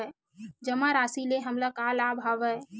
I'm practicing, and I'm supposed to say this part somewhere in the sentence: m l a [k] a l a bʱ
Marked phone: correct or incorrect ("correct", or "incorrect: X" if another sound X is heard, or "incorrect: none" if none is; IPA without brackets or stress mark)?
correct